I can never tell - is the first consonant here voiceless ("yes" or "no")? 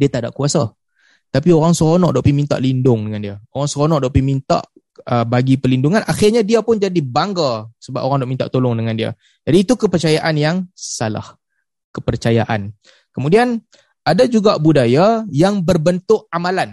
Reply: no